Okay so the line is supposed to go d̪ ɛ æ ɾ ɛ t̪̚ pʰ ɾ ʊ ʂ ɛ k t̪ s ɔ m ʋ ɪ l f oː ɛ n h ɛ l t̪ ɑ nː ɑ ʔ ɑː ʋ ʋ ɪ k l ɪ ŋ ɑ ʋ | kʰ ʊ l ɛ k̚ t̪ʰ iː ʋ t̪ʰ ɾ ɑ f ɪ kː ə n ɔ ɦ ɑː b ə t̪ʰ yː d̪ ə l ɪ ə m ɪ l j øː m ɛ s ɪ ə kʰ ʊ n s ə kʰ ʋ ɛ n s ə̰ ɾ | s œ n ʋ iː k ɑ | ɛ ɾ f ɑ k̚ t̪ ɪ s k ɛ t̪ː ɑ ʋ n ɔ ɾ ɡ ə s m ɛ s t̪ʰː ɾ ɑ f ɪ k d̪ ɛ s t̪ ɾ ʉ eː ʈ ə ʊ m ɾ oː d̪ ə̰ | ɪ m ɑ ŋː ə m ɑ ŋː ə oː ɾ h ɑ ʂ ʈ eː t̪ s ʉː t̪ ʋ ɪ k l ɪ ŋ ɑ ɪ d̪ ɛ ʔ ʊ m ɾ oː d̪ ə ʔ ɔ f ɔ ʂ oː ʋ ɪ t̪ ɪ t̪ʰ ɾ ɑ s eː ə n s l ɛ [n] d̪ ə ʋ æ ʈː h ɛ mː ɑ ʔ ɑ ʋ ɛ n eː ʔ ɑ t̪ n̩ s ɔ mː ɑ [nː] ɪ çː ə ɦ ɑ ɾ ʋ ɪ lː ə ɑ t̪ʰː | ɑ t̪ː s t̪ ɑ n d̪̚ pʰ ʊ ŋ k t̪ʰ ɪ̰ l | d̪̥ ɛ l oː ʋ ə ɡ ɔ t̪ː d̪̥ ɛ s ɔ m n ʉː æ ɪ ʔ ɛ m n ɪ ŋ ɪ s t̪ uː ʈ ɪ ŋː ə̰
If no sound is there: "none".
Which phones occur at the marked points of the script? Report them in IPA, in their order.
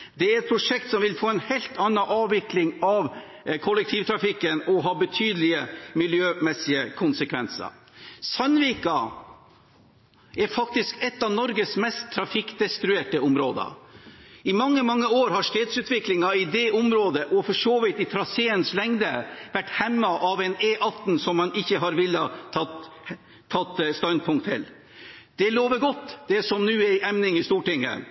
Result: ŋ, n

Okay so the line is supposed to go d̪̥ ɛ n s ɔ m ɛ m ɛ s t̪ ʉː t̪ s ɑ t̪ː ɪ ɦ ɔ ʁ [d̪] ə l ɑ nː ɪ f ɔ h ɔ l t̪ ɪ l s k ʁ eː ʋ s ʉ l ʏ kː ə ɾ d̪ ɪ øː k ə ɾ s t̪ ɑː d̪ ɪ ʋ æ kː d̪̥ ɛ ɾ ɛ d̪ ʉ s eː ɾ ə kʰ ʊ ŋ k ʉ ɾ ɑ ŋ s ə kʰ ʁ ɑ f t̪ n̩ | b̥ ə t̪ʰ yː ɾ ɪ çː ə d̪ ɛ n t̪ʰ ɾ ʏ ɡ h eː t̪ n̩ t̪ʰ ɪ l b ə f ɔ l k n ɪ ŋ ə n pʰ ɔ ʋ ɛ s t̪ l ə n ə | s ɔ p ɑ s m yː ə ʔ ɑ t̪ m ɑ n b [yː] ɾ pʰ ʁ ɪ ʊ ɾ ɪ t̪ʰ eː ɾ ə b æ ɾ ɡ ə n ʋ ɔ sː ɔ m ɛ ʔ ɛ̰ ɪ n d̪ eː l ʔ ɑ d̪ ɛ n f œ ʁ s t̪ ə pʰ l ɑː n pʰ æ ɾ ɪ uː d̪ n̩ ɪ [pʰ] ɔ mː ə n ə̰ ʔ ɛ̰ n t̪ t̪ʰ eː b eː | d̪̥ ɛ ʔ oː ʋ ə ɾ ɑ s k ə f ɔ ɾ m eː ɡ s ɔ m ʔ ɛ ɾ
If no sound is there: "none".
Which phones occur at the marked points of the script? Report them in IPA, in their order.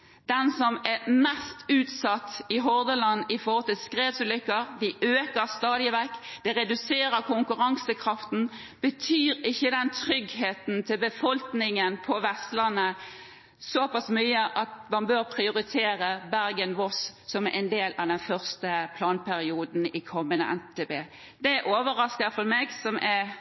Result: d̪, øː, kʰ

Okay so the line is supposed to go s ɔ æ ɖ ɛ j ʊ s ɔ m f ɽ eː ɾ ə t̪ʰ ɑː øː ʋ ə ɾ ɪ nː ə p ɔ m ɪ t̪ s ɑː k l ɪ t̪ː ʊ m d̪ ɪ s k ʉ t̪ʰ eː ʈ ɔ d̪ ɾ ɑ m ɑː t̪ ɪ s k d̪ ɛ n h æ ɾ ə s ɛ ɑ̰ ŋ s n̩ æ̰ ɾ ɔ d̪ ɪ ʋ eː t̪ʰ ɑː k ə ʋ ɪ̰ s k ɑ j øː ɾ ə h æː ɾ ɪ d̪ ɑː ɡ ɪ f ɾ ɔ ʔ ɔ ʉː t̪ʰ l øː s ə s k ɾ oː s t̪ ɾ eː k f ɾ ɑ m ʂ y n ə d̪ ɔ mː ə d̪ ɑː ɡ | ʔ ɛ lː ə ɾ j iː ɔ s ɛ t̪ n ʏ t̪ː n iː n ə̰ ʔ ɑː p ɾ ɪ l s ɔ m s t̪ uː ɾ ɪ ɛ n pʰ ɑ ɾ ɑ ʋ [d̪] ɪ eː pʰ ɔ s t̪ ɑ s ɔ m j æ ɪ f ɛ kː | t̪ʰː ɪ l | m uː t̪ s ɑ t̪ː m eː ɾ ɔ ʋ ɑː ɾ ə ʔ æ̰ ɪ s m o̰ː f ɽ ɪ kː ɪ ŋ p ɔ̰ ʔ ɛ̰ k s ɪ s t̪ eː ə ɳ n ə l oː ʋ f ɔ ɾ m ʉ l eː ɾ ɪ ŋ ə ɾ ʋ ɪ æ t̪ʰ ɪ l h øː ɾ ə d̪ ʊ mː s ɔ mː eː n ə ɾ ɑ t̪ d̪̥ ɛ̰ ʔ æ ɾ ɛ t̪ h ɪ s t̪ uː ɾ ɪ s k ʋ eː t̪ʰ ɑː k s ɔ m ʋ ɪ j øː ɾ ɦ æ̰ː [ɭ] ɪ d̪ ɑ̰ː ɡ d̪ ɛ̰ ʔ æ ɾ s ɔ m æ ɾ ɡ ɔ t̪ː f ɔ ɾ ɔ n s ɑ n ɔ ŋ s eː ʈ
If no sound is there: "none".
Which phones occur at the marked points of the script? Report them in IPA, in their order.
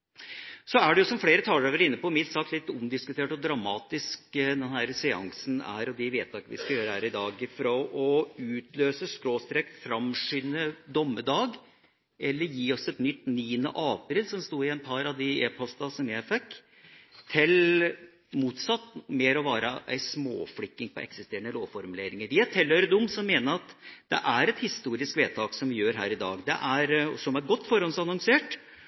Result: d̪, ɾ

